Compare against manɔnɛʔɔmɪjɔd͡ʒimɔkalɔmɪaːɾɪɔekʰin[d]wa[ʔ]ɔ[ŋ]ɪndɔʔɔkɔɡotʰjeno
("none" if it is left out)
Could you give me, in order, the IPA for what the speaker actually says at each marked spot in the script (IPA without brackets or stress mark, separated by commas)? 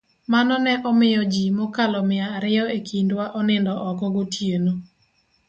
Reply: d, ʔ, n